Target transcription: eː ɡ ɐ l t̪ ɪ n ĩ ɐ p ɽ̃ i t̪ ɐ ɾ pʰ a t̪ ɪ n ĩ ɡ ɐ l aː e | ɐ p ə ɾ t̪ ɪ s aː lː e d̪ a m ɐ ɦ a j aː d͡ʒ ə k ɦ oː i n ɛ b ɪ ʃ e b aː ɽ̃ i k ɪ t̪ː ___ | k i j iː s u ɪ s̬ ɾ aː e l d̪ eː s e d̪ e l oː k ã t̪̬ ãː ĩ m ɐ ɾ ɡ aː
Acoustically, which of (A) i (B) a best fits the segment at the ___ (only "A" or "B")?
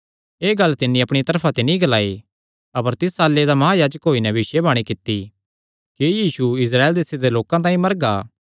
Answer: A